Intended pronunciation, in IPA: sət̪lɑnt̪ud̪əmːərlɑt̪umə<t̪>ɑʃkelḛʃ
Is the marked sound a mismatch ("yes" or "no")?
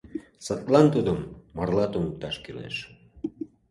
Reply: no